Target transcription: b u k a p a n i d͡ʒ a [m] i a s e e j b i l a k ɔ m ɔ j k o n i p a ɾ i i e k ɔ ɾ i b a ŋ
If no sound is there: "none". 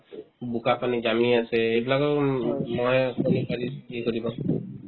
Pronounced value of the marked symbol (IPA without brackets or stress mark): m